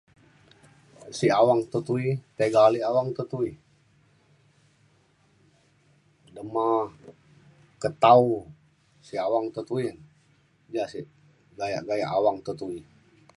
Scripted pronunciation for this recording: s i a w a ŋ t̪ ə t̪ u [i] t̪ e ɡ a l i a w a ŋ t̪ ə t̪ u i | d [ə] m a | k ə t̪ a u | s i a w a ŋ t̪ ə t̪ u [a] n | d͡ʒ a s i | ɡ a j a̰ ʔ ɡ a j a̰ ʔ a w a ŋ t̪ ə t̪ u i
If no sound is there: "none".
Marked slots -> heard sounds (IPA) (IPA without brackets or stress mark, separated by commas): i, ə, i